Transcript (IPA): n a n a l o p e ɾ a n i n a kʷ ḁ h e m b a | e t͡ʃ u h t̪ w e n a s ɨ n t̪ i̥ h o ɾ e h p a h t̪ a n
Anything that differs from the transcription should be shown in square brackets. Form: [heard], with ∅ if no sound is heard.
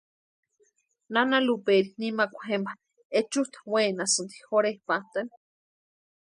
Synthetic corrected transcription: n a n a l [u] p e ɾ [i] n i [m] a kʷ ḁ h e m b a | e t͡ʃ u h t̪ w e n a s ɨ n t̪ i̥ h o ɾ e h p a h t̪ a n